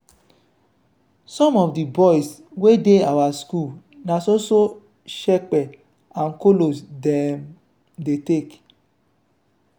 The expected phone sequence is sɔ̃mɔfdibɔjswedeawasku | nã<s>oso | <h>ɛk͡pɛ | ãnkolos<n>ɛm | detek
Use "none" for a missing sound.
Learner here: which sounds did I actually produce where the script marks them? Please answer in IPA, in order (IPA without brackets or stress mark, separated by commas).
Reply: s, ʃ, d